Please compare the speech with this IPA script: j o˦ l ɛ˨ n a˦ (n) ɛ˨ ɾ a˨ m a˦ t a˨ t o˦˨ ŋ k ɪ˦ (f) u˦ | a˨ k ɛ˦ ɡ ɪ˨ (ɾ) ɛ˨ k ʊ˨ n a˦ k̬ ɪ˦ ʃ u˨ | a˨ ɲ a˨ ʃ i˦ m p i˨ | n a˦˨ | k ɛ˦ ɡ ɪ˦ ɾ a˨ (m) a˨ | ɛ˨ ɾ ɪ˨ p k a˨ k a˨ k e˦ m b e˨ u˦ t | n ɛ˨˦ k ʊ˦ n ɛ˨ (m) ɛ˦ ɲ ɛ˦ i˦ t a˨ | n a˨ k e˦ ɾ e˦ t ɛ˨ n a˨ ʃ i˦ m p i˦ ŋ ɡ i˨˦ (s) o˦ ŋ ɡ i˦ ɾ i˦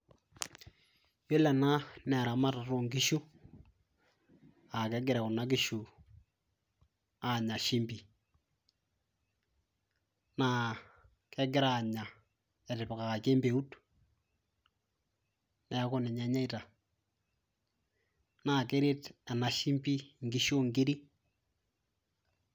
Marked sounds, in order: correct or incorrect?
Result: correct, incorrect: ʃ, correct, incorrect: ɲ, incorrect: ɲ, incorrect: ʃ

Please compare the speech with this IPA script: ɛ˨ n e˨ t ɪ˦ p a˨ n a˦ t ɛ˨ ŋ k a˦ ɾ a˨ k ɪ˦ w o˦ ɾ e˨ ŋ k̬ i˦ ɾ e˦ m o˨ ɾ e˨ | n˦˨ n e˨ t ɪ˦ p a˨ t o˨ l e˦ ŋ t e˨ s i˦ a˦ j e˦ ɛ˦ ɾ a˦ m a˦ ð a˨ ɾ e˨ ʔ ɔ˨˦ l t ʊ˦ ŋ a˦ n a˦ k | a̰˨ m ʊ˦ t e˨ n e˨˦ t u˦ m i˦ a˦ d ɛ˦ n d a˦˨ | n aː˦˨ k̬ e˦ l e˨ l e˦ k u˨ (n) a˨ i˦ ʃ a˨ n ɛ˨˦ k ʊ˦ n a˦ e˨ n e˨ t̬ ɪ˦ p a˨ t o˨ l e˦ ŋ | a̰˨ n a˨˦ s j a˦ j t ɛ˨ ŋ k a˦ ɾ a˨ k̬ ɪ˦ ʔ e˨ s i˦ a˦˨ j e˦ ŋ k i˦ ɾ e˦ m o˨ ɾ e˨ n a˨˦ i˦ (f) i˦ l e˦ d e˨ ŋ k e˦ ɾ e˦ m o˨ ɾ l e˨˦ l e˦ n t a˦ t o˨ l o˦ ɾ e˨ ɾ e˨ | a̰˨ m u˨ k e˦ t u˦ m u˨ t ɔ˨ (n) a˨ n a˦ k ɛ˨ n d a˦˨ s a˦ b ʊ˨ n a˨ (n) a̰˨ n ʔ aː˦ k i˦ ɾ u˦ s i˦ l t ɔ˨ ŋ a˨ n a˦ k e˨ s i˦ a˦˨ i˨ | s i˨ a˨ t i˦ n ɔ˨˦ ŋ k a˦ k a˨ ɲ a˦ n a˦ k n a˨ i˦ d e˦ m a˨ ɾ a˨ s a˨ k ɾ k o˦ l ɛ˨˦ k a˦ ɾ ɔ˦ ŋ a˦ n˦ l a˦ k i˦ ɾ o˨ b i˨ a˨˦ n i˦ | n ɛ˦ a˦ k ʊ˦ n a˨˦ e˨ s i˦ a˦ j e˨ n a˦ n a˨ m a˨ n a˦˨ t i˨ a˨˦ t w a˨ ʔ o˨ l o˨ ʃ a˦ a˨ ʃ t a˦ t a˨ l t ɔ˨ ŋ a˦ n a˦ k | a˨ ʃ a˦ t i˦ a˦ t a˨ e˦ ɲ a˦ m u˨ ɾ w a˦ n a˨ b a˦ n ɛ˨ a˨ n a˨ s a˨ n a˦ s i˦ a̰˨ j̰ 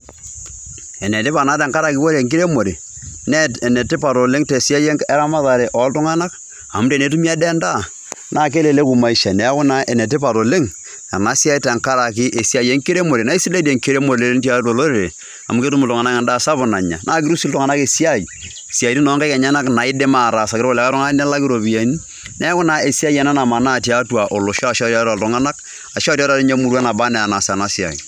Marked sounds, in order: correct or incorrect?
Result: incorrect: m, incorrect: s, incorrect: ŋ, incorrect: ɲ

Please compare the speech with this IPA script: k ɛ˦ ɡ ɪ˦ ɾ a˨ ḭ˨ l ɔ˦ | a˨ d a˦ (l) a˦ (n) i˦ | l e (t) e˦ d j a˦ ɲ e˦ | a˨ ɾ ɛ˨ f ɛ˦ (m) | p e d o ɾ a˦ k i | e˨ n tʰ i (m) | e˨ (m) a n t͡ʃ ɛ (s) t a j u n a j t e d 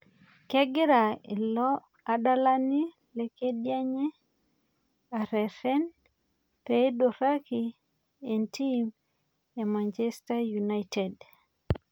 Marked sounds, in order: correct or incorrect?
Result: correct, correct, incorrect: k, incorrect: n, correct, correct, correct

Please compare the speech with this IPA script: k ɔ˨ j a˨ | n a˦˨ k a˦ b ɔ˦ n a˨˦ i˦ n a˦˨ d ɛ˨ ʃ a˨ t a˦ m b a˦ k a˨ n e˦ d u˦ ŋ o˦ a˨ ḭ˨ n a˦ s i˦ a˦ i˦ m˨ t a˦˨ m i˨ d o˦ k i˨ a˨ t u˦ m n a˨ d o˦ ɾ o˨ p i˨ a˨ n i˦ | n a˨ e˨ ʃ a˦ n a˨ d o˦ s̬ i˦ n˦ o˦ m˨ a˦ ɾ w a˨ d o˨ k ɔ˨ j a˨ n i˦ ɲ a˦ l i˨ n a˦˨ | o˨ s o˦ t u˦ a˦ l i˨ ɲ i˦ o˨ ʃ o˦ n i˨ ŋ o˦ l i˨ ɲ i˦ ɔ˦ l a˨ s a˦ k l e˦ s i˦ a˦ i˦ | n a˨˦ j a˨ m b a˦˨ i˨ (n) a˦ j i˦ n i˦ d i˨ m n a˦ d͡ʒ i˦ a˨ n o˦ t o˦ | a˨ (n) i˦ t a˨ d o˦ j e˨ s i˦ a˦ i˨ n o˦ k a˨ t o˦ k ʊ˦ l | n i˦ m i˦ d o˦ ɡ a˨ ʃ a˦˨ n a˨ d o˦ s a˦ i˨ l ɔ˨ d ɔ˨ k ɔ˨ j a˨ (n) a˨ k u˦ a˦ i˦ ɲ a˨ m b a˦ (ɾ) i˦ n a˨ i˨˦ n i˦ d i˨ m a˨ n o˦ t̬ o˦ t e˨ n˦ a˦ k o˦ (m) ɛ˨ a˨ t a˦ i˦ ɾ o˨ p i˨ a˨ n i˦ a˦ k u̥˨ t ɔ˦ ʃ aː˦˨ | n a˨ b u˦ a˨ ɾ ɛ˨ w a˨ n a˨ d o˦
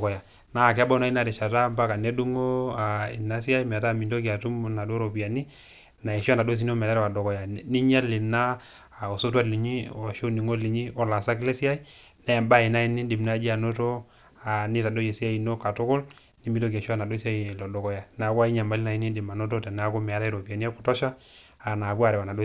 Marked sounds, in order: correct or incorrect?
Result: correct, correct, correct, incorrect: l, correct

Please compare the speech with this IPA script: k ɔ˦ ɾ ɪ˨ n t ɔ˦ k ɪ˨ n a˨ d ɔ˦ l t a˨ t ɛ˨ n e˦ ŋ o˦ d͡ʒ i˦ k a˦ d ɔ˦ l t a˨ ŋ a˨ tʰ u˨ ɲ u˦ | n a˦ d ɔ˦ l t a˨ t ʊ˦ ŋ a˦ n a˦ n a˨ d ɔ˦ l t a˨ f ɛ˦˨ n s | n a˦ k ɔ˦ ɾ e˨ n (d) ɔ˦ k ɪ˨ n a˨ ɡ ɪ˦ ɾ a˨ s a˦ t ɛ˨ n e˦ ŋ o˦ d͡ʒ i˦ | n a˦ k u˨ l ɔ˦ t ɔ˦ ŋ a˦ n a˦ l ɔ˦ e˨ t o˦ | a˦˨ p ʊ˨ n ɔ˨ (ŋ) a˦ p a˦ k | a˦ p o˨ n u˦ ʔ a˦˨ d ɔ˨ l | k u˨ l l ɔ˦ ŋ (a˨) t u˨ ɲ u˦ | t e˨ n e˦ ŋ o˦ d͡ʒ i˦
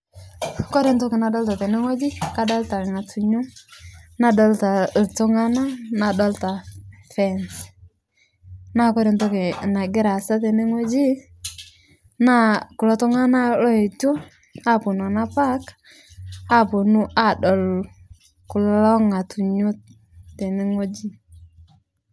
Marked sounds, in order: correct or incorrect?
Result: incorrect: t, incorrect: n, correct

